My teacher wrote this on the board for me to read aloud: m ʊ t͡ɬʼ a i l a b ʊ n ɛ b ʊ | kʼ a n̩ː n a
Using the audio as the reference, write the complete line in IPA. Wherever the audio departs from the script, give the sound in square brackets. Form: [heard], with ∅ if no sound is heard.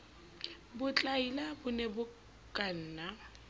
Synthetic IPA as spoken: [b] ʊ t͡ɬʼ a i l a b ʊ n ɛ b ʊ | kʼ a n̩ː n a